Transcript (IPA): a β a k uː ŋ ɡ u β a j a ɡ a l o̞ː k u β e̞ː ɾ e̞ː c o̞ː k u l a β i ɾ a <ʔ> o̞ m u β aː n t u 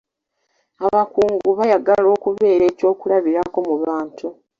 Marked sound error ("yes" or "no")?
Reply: yes